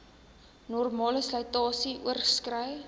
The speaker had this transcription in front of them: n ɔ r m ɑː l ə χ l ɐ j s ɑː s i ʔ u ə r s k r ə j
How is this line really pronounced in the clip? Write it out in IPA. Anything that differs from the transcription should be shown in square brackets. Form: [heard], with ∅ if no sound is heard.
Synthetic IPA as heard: n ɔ r m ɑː l ə [s] l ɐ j [t] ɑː s i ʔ u ə r s k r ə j

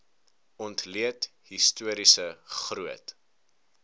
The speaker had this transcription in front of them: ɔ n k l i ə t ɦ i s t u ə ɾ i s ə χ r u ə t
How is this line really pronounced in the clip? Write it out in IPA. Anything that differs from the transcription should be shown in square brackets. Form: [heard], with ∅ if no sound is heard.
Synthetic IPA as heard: ɔ n [t] l i ə t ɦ i s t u ə ɾ i s ə χ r u ə t

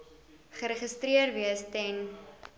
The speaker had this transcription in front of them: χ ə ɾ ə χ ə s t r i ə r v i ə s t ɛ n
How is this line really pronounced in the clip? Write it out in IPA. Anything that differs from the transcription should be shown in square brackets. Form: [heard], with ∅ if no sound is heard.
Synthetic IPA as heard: χ ə ɾ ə χ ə s t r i ə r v i ə s t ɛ n

